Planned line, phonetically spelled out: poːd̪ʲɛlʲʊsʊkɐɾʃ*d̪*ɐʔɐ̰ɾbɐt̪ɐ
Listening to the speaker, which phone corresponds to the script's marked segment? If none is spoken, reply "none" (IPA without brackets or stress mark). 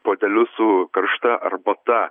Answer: t̪